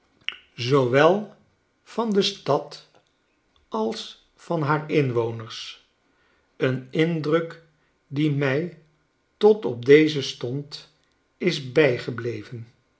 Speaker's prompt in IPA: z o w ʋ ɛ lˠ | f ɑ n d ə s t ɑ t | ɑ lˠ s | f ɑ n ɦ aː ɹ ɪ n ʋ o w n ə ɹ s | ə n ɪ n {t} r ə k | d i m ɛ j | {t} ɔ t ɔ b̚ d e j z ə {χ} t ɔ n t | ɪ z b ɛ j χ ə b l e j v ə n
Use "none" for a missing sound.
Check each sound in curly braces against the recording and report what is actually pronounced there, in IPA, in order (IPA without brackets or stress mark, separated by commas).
d, t, s